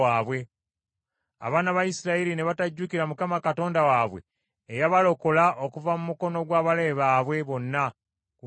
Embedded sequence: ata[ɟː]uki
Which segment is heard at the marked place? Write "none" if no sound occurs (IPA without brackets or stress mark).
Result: ɟː